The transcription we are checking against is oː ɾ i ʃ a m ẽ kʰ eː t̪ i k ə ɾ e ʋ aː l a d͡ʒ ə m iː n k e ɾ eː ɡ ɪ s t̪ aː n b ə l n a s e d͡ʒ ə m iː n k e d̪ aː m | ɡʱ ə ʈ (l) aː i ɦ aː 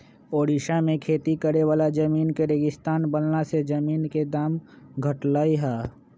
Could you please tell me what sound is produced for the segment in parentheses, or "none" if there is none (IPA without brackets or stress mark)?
l